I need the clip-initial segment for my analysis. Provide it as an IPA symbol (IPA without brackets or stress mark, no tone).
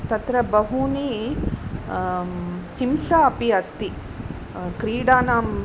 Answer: t̪